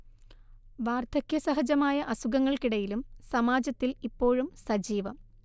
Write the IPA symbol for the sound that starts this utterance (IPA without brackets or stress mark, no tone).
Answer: ʋ